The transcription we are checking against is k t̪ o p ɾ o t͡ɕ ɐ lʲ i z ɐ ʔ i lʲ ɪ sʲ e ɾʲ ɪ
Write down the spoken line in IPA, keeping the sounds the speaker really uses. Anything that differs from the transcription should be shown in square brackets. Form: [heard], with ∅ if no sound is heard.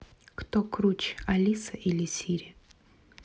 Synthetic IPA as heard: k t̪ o [k] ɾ [u] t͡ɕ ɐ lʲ i [s] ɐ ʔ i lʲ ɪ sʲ [i] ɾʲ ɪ